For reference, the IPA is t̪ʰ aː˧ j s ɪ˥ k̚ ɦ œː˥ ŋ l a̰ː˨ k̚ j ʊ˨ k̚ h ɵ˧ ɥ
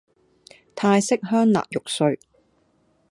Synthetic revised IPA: t̪ʰ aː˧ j s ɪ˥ k̚ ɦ œː˥ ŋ l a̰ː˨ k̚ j ʊ˨ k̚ s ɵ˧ ɥ

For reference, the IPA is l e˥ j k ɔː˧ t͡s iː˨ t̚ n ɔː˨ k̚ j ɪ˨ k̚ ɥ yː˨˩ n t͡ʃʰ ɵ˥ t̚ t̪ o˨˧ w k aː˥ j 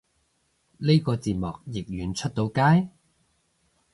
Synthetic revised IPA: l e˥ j k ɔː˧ t͡s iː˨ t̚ m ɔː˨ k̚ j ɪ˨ k̚ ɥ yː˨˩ n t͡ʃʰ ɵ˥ t̚ t̪ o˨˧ w k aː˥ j

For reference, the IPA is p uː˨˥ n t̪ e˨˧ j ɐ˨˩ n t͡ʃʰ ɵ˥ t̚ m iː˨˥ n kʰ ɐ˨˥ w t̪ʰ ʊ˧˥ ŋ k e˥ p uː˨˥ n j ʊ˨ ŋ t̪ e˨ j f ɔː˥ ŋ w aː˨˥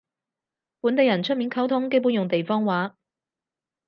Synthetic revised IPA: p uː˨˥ n t̪ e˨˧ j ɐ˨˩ n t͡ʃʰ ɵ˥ t̚ m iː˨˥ n kʰ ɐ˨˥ w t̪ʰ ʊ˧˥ ŋ k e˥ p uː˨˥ n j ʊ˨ ŋ t̪ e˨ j f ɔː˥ ŋ w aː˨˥

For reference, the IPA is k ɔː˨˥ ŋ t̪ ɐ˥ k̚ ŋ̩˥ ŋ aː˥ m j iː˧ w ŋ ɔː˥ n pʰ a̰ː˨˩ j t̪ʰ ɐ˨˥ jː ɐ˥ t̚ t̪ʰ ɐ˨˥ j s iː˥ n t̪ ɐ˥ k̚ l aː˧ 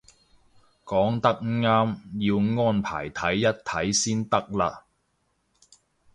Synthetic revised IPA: k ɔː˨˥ ŋ t̪ ɐ˥ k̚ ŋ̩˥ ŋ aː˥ m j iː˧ w ŋ ɔː˥ n pʰ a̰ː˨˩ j t̪ʰ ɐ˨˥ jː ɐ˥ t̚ t̪ʰ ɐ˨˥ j s iː˥ n t̪ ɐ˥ k̚ l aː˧

